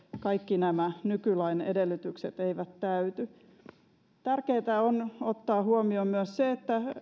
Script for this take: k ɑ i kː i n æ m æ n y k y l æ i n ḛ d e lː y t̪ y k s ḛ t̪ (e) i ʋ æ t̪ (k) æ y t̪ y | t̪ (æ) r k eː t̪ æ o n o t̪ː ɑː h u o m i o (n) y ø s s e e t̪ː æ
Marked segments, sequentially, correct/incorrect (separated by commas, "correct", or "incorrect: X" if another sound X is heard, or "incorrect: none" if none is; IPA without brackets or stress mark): correct, incorrect: t, correct, incorrect: m